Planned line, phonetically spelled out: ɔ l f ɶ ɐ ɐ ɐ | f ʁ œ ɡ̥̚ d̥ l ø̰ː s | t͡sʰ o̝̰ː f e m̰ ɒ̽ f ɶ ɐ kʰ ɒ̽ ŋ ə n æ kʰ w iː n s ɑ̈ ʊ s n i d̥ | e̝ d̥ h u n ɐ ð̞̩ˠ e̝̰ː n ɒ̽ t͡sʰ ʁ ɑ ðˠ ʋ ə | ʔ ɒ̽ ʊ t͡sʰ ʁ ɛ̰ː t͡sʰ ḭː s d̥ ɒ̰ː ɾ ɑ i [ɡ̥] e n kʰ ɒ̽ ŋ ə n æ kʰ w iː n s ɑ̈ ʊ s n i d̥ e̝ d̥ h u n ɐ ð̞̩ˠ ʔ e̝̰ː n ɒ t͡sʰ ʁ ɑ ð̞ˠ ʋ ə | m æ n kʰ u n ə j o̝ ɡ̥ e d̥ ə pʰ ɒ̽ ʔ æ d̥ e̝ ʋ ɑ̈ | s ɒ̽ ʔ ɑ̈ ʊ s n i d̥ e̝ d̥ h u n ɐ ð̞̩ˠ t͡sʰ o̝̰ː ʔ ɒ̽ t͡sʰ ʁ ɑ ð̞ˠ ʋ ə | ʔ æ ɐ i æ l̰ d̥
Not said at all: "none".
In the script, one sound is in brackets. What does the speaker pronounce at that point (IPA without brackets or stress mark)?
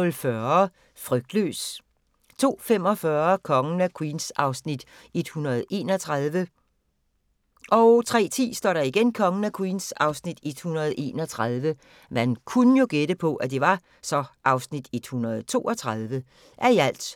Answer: ɡ̥